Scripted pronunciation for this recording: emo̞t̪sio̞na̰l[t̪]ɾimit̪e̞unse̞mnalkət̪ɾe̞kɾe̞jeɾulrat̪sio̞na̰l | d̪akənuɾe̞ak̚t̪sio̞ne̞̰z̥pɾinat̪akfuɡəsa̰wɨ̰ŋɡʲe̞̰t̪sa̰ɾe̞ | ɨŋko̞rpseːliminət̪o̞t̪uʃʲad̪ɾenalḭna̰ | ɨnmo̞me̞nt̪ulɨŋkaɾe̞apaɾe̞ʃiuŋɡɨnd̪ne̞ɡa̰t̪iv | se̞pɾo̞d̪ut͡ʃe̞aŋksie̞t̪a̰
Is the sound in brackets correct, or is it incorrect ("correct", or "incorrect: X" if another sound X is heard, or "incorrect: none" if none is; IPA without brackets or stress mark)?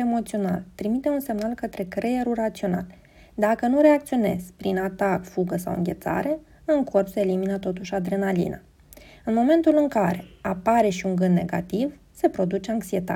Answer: correct